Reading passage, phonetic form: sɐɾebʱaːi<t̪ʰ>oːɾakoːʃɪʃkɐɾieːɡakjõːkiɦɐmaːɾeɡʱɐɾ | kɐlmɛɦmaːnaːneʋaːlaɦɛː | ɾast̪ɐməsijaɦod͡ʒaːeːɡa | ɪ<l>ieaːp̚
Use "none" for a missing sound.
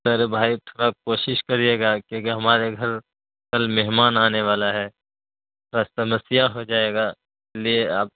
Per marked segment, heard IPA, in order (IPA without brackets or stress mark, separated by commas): t̪ʰ, l